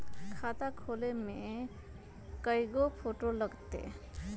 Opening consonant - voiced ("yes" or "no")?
no